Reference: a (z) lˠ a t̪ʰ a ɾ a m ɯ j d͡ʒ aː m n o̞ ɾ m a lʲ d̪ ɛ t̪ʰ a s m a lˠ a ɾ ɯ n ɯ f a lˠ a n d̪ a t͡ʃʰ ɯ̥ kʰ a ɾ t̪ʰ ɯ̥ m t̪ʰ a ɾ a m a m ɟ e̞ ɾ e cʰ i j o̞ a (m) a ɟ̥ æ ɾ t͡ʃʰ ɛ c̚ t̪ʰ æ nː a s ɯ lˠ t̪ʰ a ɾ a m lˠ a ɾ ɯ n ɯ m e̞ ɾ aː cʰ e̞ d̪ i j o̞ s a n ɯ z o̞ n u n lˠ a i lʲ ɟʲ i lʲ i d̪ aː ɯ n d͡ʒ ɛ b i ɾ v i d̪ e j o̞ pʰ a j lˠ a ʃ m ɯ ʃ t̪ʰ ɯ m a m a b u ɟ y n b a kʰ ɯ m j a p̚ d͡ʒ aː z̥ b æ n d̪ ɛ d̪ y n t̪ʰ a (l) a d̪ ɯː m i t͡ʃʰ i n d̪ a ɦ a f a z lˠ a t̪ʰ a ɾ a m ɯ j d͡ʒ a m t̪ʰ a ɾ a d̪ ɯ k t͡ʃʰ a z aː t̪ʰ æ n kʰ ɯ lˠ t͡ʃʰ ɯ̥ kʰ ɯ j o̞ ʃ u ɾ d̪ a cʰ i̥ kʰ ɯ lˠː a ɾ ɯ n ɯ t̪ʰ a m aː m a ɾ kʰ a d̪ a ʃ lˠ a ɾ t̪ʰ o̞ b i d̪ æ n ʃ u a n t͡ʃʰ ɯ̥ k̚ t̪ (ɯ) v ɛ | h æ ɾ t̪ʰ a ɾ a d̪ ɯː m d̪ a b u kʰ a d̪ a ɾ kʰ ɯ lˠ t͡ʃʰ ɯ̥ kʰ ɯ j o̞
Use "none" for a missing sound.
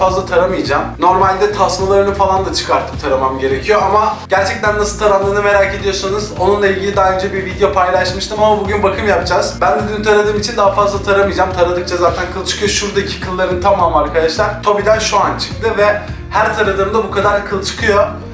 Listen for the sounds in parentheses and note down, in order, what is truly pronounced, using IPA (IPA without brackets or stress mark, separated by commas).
z, m, ɾ, ɯ